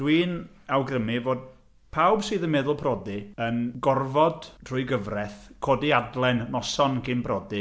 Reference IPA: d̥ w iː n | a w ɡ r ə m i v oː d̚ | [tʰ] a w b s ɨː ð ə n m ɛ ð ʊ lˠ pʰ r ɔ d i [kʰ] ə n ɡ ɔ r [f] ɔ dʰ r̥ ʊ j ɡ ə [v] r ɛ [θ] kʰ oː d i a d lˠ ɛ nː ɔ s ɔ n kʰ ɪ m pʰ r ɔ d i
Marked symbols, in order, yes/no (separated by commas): no, no, no, yes, yes